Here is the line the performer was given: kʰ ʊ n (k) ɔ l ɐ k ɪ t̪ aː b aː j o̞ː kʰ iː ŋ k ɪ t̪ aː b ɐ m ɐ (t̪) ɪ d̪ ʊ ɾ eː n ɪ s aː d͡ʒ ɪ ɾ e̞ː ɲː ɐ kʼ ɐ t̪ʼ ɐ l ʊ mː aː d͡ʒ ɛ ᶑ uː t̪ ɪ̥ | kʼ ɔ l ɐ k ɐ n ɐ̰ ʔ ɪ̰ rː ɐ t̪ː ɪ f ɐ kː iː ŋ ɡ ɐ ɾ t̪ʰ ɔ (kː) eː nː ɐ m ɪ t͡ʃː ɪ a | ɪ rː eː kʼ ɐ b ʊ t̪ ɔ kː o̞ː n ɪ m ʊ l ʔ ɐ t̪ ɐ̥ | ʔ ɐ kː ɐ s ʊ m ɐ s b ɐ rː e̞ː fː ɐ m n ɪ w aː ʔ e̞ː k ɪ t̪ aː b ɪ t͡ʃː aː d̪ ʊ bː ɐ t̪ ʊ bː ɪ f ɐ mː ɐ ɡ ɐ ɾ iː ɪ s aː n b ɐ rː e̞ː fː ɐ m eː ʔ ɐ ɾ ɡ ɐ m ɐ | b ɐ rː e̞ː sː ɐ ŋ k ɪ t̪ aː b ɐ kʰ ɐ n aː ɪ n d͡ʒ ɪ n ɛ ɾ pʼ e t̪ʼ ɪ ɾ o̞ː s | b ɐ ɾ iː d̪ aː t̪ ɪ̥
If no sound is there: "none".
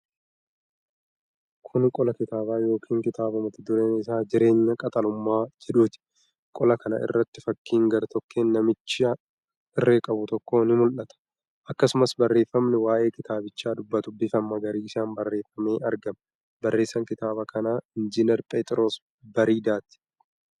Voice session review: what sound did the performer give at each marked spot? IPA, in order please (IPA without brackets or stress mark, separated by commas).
kʼ, t̪, kː